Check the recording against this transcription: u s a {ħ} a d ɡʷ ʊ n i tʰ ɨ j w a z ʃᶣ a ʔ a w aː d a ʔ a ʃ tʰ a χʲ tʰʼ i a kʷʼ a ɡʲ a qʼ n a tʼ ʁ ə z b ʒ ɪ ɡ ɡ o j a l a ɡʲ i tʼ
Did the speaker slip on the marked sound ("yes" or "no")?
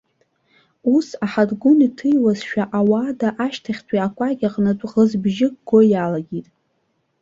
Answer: no